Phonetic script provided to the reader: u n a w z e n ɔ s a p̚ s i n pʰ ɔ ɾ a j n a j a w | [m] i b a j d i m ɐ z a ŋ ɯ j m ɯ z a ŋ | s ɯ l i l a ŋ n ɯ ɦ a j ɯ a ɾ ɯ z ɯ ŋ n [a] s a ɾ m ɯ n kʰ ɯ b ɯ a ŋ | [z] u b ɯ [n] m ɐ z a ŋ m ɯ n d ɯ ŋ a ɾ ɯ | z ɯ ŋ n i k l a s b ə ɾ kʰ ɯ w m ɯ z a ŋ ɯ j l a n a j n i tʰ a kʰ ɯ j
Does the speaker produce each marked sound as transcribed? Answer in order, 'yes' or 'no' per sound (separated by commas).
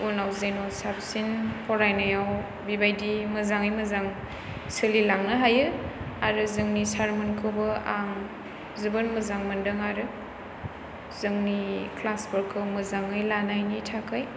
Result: no, no, yes, yes